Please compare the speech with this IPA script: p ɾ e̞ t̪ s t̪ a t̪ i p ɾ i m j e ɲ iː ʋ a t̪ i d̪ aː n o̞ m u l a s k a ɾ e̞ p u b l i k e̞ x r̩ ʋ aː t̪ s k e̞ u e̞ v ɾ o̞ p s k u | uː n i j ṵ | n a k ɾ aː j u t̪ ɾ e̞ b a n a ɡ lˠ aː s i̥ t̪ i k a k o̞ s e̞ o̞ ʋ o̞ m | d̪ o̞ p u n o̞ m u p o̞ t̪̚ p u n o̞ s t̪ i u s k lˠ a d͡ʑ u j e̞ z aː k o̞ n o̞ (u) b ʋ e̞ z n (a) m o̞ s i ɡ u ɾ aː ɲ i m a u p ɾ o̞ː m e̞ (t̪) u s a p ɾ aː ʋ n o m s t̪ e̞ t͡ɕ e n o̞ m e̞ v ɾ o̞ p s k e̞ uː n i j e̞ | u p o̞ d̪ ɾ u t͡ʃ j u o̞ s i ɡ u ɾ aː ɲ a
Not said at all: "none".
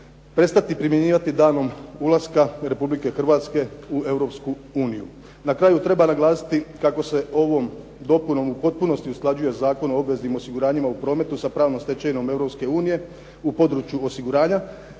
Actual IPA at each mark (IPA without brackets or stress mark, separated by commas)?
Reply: o, i, t̪